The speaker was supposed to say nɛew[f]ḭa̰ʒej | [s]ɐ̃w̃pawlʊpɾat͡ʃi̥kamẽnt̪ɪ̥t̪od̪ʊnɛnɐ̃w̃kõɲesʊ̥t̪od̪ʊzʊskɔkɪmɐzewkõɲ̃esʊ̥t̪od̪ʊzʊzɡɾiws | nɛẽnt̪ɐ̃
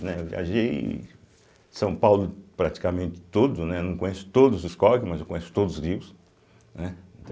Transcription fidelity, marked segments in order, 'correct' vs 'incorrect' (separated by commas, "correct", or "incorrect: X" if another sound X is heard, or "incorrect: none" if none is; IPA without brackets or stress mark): incorrect: v, correct